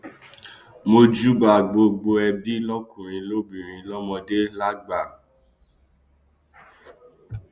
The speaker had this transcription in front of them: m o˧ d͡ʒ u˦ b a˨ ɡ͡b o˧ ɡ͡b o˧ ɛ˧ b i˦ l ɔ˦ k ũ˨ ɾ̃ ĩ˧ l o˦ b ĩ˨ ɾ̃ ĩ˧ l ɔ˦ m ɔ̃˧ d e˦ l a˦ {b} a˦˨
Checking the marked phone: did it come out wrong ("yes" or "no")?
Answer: yes